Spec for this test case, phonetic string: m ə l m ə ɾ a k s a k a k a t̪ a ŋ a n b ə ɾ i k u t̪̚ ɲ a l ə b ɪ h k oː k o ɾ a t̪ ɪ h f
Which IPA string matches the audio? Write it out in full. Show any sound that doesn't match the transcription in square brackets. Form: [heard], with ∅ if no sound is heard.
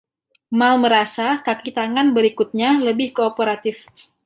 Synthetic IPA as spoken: m [a] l m ə ɾ a [∅] s a k a k [i] t̪ a ŋ a n b ə ɾ i k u t̪̚ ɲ a l ə b ɪ h k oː [p] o ɾ a t̪ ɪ [∅] f